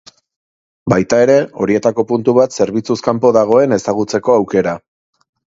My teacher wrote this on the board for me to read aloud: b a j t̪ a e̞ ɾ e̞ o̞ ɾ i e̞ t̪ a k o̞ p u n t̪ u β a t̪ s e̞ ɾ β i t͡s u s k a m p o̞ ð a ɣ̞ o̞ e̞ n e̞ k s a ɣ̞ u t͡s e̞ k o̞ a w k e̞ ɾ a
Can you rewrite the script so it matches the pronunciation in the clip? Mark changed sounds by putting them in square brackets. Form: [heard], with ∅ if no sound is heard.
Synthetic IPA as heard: b a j t̪ a e̞ ɾ e̞ o̞ ɾ i e̞ t̪ a k o̞ p u n t̪ u β a t̪ s e̞ ɾ β i t͡s u s k a m p o̞ ð a ɣ̞ o̞ e̞ n e̞ [∅] s a ɣ̞ u t͡s e̞ k o̞ a w k e̞ ɾ a